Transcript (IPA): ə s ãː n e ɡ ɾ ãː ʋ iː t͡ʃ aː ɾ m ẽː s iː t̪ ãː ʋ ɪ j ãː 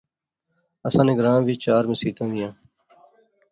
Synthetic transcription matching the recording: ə s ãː n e ɡ ɾ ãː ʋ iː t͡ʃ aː ɾ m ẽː s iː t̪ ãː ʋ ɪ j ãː